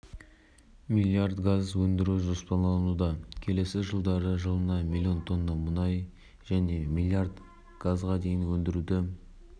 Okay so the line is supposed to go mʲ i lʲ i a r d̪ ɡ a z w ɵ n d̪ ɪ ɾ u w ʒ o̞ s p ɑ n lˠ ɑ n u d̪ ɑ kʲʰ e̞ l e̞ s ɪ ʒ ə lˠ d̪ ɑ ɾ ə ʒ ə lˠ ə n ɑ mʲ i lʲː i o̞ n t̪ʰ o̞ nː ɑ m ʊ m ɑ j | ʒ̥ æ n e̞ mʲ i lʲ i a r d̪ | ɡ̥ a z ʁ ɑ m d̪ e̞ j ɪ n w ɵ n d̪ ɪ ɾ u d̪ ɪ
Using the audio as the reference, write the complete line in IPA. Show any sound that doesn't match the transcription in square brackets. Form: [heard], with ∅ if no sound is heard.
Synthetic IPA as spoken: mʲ i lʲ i a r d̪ ɡ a z w ɵ n d̪ ɪ ɾ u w ʒ o̞ s p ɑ n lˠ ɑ n u d̪ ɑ kʲʰ e̞ l e̞ s ɪ ʒ ə lˠ d̪ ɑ ɾ ə ʒ ə lˠ ə n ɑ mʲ i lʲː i o̞ n t̪ʰ o̞ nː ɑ m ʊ [n] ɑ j | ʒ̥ æ n e̞ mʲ i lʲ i a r d̪ | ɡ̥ a z ʁ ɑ [∅] d̪ e̞ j ɪ n w ɵ n d̪ ɪ ɾ u d̪ ɪ